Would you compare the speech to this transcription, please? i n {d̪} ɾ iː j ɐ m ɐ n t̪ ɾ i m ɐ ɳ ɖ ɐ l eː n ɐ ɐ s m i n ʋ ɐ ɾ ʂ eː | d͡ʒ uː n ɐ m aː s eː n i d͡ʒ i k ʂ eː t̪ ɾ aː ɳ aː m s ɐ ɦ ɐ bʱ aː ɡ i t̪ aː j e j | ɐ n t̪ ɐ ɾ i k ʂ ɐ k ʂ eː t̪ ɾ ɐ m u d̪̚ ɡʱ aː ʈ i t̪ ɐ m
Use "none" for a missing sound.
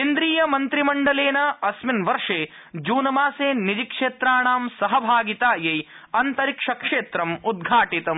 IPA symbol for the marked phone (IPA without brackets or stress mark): d̪